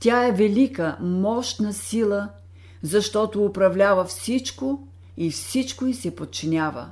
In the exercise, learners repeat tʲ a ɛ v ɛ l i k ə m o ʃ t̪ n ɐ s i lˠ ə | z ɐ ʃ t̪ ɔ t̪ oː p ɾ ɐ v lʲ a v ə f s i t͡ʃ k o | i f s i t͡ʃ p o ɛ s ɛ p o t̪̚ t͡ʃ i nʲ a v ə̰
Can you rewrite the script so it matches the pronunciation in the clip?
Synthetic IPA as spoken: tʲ a ɛ v ɛ l i k ə m ɔ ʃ t̪ n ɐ s i lˠ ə | z ɐ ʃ t̪ ɔ t̪ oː p ɾ ɐ v lʲ a v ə f s i t͡ʃ k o | i f s i t͡ʃ k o i s ɛ p o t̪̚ t͡ʃ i nʲ a v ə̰